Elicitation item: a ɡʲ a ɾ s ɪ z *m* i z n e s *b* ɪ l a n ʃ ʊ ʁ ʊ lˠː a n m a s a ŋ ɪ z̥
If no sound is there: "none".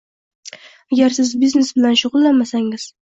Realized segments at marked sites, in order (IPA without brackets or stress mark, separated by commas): b, b